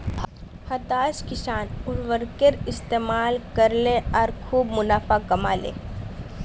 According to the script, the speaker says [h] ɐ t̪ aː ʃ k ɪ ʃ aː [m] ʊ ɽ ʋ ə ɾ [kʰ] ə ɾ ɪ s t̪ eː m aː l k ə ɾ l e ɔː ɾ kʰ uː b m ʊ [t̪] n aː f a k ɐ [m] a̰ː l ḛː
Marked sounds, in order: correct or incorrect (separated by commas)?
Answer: correct, incorrect, incorrect, incorrect, correct